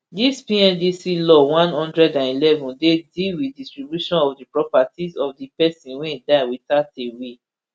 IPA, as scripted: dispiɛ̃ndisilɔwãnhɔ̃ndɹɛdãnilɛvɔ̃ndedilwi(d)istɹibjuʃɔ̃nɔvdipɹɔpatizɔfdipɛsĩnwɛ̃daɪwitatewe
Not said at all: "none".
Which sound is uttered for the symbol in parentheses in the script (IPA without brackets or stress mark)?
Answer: d